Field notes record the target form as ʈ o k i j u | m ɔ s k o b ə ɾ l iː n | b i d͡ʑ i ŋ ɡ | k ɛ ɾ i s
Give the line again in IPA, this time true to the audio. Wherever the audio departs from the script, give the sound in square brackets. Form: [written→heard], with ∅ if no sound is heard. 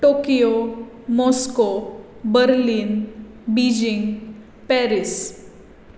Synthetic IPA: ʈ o k i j [u→o] | m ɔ s k o b ə ɾ l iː n | b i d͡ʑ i ŋ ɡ | [k→p] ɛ ɾ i s